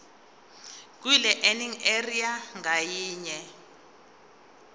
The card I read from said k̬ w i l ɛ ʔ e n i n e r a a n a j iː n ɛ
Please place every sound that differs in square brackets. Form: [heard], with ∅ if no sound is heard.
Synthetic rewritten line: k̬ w i l ɛ ʔ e n i [ŋ] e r [i] a [ŋ] a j iː [ɲ] ɛ